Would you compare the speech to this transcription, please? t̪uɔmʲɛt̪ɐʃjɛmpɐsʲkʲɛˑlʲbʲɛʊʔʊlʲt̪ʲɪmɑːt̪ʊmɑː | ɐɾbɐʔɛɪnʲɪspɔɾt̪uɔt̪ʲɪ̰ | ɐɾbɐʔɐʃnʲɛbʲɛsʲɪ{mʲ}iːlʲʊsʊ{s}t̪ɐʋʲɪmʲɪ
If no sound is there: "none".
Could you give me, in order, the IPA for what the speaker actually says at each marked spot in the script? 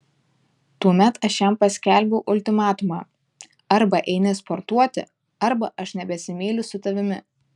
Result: mʲ, none

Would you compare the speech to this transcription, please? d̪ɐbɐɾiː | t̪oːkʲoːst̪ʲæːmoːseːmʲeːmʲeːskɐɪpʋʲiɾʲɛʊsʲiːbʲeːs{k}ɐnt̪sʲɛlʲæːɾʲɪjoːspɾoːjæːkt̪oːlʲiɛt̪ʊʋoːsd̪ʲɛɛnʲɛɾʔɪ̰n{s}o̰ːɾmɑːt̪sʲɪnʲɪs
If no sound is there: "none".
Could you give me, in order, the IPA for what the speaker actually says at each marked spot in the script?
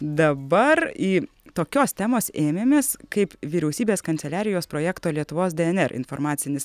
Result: k, f

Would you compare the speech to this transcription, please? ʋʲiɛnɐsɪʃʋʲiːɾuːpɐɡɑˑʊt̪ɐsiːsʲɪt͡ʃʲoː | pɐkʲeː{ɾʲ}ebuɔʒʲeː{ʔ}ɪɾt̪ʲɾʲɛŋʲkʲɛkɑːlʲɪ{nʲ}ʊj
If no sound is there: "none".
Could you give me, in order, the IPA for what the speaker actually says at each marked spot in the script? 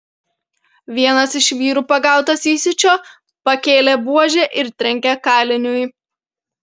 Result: lʲ, ʔ, nʲ

